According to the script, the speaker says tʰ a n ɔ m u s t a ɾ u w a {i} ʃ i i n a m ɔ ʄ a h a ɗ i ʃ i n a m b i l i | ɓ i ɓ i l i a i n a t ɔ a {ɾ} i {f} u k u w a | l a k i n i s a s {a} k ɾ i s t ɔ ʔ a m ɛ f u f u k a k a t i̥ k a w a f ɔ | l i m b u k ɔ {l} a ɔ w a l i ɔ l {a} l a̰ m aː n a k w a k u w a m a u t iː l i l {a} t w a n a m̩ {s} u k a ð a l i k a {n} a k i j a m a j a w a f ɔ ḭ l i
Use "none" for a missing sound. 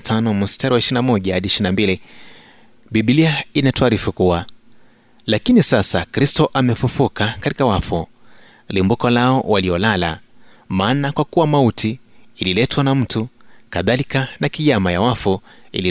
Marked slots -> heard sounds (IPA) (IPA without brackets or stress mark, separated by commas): i, ɾ, f, a, l, a, ɛ, t, n